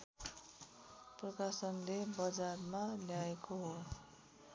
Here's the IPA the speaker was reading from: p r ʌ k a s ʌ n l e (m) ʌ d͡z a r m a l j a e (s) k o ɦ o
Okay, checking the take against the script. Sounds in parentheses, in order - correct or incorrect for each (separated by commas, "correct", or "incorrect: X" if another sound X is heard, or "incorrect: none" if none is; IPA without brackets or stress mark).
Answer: incorrect: b, incorrect: none